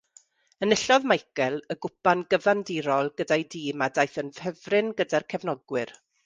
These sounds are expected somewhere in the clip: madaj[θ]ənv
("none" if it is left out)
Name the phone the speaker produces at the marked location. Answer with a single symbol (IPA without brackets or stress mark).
θ